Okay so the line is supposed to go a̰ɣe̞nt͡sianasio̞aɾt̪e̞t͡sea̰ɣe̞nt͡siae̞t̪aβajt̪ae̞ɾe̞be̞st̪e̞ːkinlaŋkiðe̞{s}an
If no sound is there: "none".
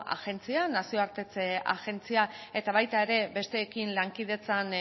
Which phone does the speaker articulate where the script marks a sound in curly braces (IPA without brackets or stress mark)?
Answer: t͡s